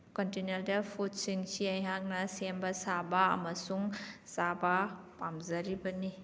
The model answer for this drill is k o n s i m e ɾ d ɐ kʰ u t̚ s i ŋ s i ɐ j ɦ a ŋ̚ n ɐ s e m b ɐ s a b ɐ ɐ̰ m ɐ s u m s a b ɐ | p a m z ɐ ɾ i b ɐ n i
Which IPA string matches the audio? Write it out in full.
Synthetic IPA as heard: k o n t i n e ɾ d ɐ pʰ u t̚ s i ŋ s i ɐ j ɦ a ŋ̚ n ɐ s e m b ɐ s a b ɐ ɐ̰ m ɐ s u ŋ s a b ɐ | p a m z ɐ ɾ i b ɐ n i